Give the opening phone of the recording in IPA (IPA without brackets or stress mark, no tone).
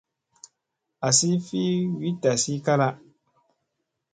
a